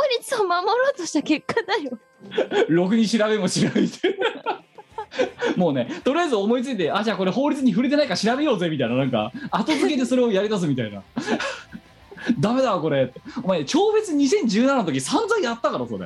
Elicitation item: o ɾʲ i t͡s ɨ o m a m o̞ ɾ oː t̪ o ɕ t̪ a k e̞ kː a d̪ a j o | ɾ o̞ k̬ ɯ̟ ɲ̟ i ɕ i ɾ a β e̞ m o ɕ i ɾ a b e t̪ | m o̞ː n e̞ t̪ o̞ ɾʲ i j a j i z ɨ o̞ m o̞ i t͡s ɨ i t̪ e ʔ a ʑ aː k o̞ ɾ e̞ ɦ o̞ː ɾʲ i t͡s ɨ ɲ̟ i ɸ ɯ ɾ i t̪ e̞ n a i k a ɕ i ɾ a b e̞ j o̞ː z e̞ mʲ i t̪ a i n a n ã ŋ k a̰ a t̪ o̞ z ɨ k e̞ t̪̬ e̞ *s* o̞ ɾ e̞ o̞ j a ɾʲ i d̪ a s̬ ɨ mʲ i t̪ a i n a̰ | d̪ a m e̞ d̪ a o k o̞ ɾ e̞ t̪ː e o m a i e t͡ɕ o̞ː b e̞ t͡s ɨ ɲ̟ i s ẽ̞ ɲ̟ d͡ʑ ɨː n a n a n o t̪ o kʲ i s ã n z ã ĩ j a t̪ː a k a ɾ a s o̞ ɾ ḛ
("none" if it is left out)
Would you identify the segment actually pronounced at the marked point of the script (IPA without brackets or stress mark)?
s